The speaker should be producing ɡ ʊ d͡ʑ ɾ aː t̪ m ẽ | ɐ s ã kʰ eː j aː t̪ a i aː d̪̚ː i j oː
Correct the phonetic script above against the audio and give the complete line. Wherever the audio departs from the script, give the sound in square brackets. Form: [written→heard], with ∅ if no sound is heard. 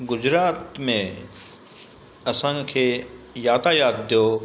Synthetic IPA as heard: ɡ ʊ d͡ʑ ɾ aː t̪ m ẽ | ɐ s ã kʰ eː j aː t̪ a [i→j] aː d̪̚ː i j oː